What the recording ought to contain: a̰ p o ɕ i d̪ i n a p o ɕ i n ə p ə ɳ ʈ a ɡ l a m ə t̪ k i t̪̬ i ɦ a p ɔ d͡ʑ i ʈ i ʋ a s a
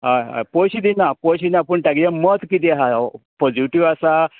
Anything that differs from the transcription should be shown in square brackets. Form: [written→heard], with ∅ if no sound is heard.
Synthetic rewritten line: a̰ p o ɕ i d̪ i n a p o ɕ i n [ə→a] p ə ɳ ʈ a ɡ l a m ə t̪ k i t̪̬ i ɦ a p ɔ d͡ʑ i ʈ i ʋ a s a